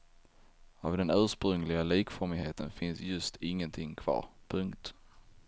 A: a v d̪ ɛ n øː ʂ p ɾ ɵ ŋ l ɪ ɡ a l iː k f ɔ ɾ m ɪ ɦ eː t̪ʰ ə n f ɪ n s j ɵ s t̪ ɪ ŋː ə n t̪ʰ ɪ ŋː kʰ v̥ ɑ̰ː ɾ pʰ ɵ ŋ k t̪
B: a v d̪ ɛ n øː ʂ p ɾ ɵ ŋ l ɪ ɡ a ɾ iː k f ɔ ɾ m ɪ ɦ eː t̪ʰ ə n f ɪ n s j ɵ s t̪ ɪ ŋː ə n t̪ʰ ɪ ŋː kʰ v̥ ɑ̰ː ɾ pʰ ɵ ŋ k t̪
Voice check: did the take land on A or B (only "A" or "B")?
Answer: A